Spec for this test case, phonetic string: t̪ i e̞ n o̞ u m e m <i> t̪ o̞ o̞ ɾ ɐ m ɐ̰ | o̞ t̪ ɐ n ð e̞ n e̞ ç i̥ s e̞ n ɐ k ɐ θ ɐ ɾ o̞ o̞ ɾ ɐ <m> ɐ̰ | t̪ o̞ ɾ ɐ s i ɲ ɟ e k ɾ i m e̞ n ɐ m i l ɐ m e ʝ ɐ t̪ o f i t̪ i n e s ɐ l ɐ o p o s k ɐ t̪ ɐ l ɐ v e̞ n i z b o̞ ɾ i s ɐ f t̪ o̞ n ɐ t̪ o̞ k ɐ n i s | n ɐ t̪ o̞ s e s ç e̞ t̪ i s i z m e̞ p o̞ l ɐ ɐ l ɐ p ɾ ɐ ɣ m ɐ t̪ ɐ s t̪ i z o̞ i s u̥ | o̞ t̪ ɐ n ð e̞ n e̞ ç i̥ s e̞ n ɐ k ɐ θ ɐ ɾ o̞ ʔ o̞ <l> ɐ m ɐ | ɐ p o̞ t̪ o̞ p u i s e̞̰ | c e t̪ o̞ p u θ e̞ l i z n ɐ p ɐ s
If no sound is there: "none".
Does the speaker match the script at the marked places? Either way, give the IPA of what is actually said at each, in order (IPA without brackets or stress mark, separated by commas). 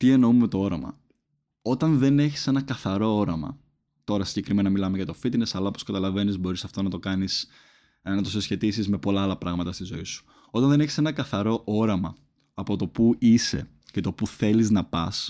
e, m, ɾ